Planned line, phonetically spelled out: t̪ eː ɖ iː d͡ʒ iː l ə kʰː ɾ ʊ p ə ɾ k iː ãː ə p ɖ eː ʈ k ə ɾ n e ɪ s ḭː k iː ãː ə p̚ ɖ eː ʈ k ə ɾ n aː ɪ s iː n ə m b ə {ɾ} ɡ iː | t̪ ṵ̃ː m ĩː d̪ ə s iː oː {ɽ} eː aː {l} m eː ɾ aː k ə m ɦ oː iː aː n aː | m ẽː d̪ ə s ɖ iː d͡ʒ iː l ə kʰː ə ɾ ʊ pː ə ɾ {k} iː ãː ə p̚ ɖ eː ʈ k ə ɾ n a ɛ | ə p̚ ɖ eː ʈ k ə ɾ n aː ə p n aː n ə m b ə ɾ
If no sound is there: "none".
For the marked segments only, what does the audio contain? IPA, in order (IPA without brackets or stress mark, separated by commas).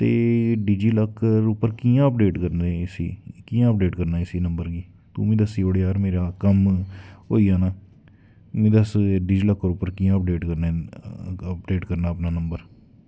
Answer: ɾ, ɽ, ɾ, k